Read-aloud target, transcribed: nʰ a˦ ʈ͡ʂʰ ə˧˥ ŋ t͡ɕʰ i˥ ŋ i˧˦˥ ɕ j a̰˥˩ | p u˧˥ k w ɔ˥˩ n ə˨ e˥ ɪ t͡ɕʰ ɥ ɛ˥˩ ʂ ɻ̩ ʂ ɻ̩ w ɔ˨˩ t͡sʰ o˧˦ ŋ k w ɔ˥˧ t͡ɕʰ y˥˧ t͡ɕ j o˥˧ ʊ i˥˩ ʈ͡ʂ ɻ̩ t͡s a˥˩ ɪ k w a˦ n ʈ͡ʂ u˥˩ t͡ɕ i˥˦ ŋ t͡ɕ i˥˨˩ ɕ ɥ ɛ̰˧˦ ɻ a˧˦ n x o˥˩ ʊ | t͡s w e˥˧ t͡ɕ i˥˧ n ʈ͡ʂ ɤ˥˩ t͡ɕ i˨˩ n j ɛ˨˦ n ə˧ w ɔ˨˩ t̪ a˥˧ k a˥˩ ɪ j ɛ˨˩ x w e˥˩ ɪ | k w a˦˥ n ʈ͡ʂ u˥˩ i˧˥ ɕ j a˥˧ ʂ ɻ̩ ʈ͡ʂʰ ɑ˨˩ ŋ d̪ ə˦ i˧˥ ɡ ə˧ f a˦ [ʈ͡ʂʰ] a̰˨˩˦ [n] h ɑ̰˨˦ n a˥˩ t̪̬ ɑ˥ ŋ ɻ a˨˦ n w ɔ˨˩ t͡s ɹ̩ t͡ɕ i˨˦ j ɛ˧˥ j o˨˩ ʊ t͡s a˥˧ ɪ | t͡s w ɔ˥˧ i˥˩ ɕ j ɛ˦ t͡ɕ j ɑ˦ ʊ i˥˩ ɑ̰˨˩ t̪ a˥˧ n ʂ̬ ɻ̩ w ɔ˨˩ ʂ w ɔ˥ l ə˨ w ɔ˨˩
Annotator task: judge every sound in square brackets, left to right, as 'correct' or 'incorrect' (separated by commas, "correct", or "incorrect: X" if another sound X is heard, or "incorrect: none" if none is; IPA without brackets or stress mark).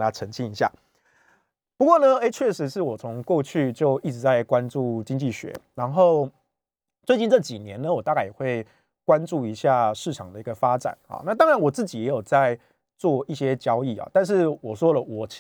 incorrect: ʈ͡ʂ, correct